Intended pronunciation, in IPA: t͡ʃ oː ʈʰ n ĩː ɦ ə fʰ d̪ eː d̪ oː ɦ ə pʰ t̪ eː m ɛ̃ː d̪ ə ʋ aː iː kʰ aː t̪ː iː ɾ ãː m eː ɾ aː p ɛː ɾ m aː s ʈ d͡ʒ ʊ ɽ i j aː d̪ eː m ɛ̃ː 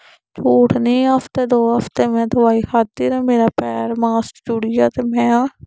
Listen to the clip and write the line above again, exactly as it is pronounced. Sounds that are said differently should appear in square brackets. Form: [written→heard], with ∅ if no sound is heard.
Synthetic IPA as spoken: t͡ʃ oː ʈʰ n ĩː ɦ ə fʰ [d̪→t̪] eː d̪ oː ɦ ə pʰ t̪ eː m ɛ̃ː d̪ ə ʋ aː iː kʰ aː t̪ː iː ɾ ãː m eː ɾ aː p ɛː ɾ m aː s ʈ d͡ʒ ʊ ɽ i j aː [d̪→t̪] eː m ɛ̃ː